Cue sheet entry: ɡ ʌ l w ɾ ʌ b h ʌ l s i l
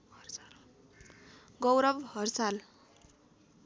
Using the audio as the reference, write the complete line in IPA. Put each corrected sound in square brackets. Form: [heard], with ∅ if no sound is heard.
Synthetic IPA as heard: ɡ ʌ [∅] w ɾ ʌ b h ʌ [r] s [a] l